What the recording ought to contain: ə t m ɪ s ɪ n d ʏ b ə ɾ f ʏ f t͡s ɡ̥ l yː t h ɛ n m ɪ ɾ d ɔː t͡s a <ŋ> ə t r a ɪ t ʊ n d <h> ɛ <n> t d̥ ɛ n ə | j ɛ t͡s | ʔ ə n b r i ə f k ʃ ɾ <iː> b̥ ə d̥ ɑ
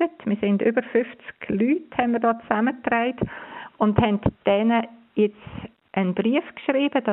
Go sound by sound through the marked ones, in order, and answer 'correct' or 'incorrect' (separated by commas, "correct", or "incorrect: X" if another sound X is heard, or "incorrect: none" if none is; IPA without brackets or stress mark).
incorrect: m, correct, correct, correct